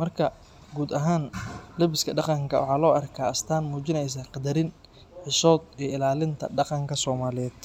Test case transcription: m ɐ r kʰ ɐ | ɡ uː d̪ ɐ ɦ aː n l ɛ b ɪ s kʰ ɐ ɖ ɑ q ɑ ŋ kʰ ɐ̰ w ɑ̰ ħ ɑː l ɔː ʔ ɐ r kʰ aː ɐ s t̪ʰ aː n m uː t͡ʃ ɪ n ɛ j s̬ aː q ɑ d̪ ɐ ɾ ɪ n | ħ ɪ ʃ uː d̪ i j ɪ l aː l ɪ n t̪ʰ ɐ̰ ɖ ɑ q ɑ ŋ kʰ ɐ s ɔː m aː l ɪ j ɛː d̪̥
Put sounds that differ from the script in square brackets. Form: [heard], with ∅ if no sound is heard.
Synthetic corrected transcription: m ɐ r kʰ ɐ | ɡ uː d̪ ɐ ɦ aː n l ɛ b ɪ s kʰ ɐ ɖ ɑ q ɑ ŋ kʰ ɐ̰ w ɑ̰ ħ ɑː l ɔː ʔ ɐ r kʰ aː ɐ s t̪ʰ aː n m uː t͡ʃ ɪ n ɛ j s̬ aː q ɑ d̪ ɐ ɾ ɪ n | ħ ɪ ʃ [ɔː] d̪ i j ɪ l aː l ɪ n t̪ʰ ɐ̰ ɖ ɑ q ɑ ŋ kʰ ɐ s ɔː m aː l ɪ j ɛː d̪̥